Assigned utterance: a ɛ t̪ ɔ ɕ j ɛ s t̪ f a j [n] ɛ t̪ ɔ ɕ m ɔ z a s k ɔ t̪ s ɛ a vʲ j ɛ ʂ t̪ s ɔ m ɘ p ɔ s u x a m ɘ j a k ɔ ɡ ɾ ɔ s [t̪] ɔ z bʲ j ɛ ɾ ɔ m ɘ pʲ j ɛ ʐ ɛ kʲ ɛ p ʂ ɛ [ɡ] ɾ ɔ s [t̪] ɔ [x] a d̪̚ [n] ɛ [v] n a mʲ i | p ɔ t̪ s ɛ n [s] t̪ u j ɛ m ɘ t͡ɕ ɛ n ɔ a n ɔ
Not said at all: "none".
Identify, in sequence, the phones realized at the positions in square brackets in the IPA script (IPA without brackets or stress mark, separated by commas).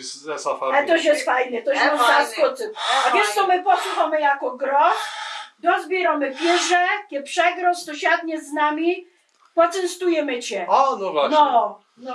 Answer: n, d̪, ɡ, t̪, ɕ, ɲ, z, s